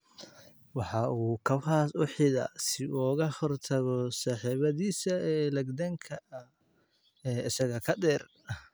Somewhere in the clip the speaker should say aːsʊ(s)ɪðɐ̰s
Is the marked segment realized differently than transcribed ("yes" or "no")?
yes